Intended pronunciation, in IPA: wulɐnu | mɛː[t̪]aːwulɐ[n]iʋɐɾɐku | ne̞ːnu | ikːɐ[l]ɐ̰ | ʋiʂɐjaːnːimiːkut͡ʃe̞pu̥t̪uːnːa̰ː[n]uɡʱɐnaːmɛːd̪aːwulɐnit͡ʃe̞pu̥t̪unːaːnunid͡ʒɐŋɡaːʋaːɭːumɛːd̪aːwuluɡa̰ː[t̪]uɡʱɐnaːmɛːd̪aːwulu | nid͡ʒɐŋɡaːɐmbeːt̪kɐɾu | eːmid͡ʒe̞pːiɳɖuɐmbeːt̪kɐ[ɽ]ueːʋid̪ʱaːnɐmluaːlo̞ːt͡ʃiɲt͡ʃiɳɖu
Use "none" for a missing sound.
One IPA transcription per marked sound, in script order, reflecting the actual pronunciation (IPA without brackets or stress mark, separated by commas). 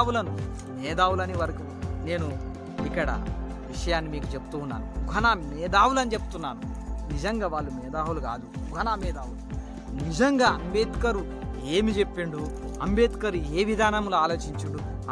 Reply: d̪, n, ɽ, n, d̪, ɾ